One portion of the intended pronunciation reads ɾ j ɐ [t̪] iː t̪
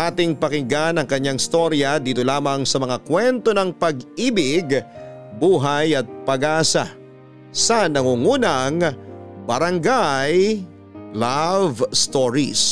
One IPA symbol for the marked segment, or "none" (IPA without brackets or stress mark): d̪